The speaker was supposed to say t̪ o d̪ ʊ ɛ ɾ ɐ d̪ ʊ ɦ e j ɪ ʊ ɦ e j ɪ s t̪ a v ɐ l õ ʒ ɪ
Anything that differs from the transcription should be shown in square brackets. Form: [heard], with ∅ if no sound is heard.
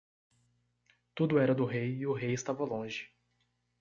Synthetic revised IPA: t̪ [u] d̪ ʊ ɛ ɾ ɐ d̪ ʊ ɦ e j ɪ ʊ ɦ e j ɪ s t̪ a v ɐ l õ ʒ ɪ